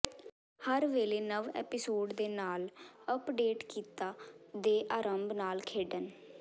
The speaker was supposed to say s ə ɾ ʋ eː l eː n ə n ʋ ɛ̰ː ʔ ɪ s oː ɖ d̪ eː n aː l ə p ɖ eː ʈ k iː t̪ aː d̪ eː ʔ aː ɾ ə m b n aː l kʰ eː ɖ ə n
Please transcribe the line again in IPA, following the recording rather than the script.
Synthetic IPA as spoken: h ə ɾ ʋ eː l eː n ə ʋ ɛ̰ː p ɪ s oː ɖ d̪ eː n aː l ə p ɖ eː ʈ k iː t̪ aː d̪ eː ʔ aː ɾ ə m b n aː l kʰ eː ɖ ə n